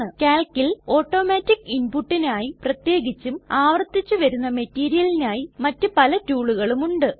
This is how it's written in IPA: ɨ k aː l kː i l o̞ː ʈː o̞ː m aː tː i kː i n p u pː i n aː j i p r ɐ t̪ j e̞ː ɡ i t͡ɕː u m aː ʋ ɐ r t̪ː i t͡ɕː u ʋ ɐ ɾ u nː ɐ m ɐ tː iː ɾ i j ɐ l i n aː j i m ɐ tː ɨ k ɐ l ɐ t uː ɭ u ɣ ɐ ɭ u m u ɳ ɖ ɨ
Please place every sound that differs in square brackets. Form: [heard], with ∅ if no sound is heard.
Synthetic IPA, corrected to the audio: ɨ k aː l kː i l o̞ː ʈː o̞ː m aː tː i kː i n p u [ʈː] i n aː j i p r ɐ t̪ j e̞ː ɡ i t͡ɕː u m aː ʋ ɐ r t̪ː i t͡ɕː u ʋ ɐ ɾ u nː ɐ m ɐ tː iː ɾ i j ɐ l i n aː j i m ɐ tː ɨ [p] ɐ l ɐ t uː ɭ u ɣ ɐ ɭ u m u ɳ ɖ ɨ